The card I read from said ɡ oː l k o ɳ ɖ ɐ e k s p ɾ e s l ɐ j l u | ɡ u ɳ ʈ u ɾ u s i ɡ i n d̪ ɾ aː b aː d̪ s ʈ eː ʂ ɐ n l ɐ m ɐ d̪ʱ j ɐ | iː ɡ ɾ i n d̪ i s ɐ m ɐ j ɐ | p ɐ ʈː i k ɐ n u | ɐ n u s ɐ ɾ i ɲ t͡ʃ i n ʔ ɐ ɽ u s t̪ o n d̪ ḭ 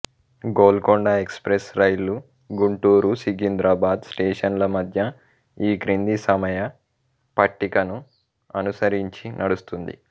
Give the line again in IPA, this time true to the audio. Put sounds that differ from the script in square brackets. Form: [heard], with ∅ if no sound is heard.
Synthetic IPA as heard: ɡ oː l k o ɳ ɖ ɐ e k s p ɾ e s [ɾ] ɐ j l u | ɡ u ɳ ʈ [uː] ɾ u s i ɡ i n d̪ ɾ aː b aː d̪ s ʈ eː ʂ ɐ n l ɐ m ɐ d̪ʱ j ɐ | iː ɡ ɾ i n d̪ i s ɐ m ɐ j ɐ | p ɐ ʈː i k ɐ n u | ɐ n u s ɐ ɾ i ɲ t͡ʃ i n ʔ ɐ ɽ u s t̪ [u] n d̪ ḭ